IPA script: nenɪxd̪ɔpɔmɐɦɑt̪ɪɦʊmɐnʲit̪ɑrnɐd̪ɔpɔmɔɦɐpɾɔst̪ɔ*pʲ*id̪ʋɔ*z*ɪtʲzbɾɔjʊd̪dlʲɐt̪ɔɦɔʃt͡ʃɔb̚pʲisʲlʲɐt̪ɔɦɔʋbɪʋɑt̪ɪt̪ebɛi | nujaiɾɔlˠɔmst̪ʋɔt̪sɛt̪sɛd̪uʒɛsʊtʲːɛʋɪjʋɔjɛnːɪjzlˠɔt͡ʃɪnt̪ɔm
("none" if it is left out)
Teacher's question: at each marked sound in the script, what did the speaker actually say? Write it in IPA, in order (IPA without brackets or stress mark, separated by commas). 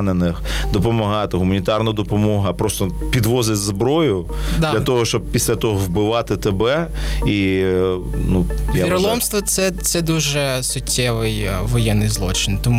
pʲ, z